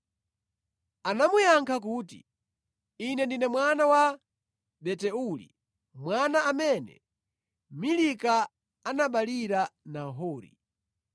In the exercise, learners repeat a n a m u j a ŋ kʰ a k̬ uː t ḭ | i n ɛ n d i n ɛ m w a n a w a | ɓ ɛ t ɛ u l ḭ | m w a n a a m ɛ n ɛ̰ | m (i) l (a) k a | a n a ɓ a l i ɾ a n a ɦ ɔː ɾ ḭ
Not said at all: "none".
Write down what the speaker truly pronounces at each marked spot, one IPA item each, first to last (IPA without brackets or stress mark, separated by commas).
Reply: i, i